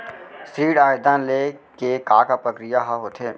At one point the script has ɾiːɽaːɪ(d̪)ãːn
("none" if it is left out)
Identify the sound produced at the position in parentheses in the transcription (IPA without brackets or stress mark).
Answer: d̪